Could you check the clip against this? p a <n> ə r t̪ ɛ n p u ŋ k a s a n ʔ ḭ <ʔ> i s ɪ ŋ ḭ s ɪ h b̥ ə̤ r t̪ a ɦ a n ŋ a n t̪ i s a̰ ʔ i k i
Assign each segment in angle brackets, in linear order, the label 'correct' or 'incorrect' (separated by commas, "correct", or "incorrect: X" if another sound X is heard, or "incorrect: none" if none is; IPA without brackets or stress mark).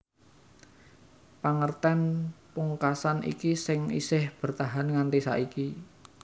incorrect: ŋ, incorrect: k